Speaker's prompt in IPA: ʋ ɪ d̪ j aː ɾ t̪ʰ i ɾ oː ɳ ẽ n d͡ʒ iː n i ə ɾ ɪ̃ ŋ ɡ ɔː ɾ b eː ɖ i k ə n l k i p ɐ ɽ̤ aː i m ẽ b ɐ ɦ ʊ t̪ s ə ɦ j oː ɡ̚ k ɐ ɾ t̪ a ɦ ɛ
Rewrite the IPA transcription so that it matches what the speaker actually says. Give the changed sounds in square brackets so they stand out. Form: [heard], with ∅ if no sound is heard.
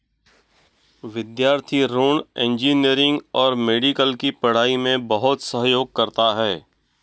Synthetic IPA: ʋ ɪ d̪ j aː ɾ t̪ʰ i ɾ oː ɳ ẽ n d͡ʒ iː n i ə ɾ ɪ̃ ŋ ɡ ɔː ɾ [m] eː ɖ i k ə [∅] l k i p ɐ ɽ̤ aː i m ẽ b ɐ ɦ ʊ t̪ s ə ɦ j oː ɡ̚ k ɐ ɾ t̪ a ɦ [ɛː]